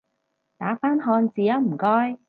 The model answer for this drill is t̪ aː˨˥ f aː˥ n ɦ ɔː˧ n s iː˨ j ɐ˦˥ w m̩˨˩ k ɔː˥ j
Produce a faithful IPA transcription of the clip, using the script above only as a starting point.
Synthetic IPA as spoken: t̪ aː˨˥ f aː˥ n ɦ ɔː˧ n t͡s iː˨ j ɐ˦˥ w m̩˨˩ k ɔː˥ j

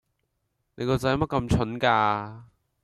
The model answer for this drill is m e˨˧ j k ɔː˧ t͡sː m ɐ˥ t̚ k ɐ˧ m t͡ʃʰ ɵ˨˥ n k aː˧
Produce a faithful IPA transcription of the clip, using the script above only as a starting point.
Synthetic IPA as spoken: n e˨˧ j k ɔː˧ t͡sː m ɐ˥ t̚ k ɐ˧ m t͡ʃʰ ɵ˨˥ n k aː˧

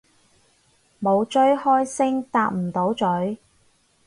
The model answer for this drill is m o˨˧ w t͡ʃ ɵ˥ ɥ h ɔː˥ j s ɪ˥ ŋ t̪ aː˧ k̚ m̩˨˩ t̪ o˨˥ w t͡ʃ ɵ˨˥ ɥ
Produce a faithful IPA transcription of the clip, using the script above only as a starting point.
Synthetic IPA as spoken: m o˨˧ w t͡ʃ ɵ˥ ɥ h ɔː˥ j s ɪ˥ ŋ t̪ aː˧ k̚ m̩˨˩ t̪ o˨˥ w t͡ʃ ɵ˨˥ ɥ

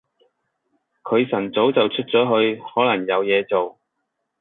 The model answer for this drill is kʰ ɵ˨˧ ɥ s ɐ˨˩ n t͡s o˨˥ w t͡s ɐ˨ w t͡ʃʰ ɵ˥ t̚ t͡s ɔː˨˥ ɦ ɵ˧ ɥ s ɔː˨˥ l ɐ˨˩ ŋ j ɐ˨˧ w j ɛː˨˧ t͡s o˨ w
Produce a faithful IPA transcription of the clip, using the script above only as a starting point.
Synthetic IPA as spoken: kʰ ɵ˨˧ ɥ s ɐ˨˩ n t͡s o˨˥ w t͡s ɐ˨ w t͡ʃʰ ɵ˥ t̚ t͡s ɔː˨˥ ɦ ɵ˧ ɥ h ɔː˨˥ l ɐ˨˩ ŋ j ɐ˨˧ w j ɛː˨˧ t͡s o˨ w

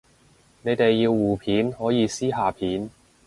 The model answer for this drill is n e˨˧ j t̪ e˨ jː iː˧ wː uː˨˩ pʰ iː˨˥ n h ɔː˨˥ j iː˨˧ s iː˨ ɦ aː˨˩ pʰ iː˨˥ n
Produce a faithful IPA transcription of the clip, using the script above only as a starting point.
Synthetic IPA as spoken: n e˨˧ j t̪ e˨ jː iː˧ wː uː˨˩ pʰ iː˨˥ n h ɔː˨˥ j iː˨˧ s iː˥ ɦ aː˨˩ pʰ iː˨˥ n

